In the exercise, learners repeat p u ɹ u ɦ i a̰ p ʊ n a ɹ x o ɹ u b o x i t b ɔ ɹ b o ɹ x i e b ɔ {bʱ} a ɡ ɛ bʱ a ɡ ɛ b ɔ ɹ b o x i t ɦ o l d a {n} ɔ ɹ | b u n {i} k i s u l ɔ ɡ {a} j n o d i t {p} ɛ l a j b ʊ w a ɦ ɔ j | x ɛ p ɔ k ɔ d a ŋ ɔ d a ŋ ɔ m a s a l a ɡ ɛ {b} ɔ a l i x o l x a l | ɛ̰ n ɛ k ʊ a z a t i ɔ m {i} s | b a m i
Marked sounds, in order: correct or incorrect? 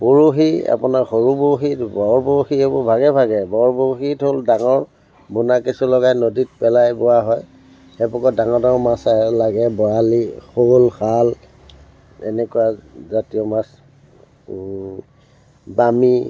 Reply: correct, incorrect: ŋ, incorrect: a, correct, correct, correct, incorrect: a

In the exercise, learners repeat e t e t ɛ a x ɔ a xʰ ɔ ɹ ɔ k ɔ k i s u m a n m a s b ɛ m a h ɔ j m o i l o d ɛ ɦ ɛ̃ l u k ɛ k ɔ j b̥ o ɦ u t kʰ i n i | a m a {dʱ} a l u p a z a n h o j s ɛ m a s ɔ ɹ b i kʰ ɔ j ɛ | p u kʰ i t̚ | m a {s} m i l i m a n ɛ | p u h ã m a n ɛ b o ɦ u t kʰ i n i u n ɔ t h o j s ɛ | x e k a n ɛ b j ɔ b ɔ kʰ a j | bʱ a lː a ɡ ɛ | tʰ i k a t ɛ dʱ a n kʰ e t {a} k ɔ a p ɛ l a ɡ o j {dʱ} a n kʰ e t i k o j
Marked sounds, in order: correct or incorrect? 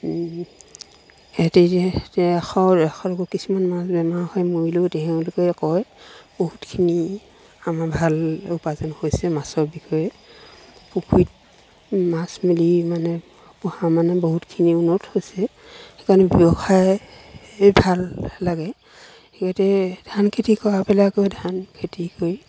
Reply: incorrect: bʱ, correct, incorrect: i, correct

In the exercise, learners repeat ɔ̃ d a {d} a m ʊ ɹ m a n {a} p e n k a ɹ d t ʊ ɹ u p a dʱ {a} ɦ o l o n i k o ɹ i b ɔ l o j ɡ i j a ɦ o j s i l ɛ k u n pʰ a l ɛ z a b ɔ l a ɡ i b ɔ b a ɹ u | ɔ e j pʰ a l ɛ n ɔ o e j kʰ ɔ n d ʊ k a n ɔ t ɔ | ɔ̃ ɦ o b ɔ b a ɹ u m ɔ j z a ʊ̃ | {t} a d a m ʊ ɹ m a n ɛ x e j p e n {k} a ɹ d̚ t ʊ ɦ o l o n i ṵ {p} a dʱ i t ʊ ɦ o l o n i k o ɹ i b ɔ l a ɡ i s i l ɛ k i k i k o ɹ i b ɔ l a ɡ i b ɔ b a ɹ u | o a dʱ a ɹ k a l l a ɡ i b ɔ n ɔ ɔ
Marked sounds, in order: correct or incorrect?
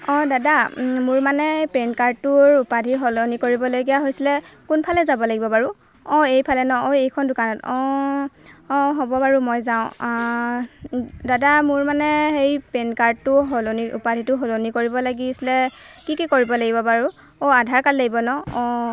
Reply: correct, incorrect: ɛ, incorrect: i, incorrect: d, correct, correct

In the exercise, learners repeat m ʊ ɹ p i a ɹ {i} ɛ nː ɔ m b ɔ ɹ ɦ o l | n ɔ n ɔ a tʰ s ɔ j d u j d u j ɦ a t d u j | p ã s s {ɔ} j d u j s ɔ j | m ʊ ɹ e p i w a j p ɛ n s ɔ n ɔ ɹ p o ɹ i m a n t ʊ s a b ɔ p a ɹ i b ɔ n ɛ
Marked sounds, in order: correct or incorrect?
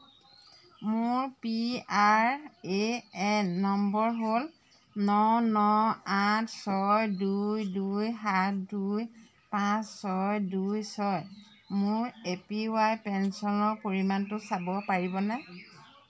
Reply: incorrect: e, correct

